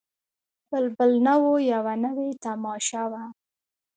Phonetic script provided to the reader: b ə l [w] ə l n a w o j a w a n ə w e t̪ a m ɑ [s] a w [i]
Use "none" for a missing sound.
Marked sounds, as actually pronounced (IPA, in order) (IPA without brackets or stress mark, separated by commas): b, ʃ, a